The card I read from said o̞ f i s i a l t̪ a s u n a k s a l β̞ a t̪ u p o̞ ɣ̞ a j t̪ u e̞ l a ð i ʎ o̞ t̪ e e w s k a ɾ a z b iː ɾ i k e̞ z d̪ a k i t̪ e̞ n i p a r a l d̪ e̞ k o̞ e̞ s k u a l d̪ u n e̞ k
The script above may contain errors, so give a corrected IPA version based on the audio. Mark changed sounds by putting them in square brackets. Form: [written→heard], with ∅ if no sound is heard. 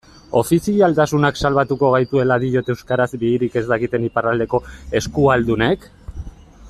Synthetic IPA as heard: o̞ f i s i a l t̪ a s u n a k s a l β̞ a t̪ u [p→k] o̞ ɣ̞ a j t̪ u e̞ l a ð i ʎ o̞ t̪ e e w s k a ɾ a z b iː ɾ i k e̞ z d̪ a k i t̪ e̞ n i p a r a l d̪ e̞ k o̞ e̞ s k u a l d̪ u n e̞ k

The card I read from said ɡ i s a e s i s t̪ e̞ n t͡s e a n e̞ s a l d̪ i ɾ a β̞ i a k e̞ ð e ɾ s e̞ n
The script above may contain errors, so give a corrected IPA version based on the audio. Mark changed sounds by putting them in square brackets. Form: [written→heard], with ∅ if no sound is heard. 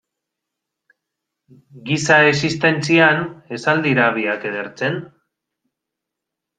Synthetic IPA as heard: ɡ i s a e s i s t̪ e̞ n t͡s [e→i] a n e̞ s a l d̪ i ɾ a β̞ i a k e̞ ð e ɾ [s→t͡s] e̞ n

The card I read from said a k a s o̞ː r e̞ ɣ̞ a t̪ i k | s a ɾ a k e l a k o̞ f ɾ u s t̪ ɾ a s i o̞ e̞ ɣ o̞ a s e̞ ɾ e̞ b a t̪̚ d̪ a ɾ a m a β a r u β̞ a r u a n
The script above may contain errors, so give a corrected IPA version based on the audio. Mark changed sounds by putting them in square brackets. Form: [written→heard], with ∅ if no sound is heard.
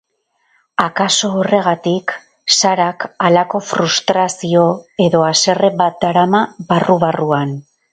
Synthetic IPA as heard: a k a s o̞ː r e̞ ɣ̞ a t̪ i k | s a ɾ a k [e→a] l a k o̞ f ɾ u s t̪ ɾ a s i o̞ e̞ [ɣ→ð] o̞ a s e̞ [ɾ→r] e̞ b a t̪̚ d̪ a ɾ a m a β a r u β̞ a r u a n

